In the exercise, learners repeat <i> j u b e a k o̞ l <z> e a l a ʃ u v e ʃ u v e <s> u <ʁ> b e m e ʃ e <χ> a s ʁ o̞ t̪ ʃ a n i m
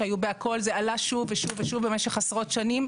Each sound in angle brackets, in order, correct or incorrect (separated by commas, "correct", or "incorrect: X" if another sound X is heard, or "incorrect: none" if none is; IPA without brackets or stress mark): incorrect: a, correct, incorrect: ʃ, incorrect: v, correct